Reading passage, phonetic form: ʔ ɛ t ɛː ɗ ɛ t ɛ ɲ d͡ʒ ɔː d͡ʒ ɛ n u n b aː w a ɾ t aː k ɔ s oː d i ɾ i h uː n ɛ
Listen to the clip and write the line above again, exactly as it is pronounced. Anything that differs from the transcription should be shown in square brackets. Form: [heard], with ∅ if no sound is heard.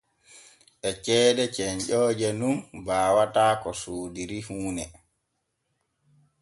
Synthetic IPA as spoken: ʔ ɛ [t͡ʃ] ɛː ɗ ɛ [t͡ʃ] ɛ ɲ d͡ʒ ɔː d͡ʒ ɛ n u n b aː w a [∅] t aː k ɔ s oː d i ɾ i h uː n ɛ